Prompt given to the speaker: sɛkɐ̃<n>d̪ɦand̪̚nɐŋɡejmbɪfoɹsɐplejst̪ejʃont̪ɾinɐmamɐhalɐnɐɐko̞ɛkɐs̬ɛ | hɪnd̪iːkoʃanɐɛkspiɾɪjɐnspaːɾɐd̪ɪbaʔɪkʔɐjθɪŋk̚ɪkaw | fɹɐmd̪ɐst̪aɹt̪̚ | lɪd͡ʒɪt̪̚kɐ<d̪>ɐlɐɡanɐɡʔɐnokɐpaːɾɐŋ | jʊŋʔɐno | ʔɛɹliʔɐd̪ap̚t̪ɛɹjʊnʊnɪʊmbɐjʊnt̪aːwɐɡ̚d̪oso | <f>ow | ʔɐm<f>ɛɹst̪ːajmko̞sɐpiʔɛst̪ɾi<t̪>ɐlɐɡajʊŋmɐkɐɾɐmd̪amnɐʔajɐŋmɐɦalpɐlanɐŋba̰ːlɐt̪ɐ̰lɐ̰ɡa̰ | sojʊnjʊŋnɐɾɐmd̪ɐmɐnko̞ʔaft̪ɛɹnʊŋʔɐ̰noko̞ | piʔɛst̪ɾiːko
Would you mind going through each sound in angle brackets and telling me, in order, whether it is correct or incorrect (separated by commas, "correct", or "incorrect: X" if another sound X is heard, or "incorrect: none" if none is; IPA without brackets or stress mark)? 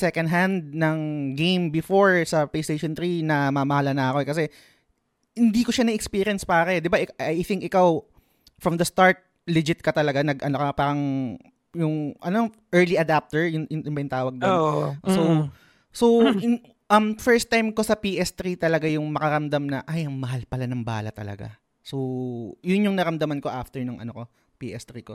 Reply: correct, incorrect: t̪, incorrect: s, correct, correct